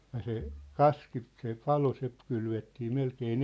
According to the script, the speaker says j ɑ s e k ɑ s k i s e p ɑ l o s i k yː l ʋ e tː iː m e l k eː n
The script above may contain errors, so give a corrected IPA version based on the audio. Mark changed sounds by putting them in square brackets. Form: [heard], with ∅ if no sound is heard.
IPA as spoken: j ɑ s e k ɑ s k i s e p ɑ l o s [e] k [y] l ʋ e tː iː m e l k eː n